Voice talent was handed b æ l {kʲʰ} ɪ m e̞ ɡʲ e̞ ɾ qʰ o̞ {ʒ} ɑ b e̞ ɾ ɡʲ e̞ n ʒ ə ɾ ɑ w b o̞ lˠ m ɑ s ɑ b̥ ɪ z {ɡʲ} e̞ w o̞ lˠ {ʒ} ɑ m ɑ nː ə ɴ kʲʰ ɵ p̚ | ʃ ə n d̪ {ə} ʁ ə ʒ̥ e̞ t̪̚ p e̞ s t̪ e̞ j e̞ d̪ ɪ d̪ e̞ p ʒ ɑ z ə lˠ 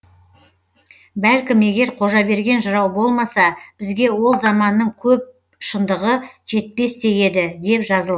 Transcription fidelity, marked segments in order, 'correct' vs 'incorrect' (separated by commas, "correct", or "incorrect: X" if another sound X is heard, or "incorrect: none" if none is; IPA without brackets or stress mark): incorrect: kʲ, correct, correct, incorrect: z, correct